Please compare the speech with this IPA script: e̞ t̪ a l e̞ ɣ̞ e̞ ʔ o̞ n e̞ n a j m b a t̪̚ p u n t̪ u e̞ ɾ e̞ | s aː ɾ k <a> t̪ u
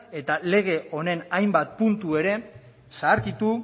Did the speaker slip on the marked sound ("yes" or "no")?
yes